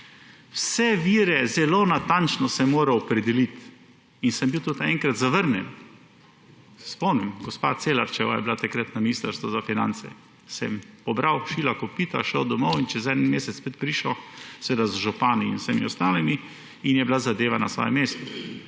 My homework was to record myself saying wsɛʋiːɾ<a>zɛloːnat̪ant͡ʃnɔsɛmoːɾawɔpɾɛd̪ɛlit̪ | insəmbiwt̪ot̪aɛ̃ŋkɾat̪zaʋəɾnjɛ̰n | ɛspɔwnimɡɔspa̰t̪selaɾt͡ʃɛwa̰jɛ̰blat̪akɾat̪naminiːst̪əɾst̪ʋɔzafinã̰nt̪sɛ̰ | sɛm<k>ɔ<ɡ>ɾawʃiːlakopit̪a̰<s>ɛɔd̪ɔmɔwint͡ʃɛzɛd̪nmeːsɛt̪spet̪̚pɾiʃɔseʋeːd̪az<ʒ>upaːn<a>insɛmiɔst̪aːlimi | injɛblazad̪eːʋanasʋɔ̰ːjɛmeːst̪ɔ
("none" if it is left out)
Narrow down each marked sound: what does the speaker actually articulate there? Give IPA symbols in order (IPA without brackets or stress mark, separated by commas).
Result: ɛ, p, b, ʃ, ʒ, i